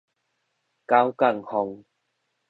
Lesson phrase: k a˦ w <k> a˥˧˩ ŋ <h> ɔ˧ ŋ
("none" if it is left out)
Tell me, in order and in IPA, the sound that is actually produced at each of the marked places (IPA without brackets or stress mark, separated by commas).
k, h